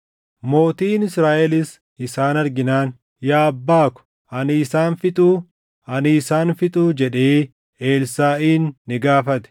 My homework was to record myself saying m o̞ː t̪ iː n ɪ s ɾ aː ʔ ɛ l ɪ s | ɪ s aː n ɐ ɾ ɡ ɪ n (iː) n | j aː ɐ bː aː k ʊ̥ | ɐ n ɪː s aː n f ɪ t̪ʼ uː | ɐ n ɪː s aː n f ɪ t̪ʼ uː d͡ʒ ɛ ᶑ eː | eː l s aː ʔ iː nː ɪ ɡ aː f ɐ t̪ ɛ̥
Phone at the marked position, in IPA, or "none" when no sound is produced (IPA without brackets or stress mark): aː